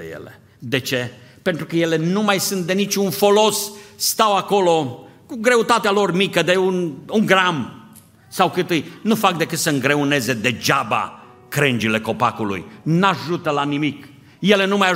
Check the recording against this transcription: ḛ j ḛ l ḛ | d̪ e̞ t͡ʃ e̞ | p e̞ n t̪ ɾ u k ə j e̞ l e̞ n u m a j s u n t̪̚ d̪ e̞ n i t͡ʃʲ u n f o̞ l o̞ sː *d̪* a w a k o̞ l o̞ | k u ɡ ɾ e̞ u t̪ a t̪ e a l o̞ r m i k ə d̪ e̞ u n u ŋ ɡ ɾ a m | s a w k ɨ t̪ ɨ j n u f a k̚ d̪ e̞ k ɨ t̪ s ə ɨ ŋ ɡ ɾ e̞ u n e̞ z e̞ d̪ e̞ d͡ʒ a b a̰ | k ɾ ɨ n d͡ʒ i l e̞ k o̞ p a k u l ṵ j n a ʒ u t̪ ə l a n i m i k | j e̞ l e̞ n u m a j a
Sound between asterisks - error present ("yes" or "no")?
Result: yes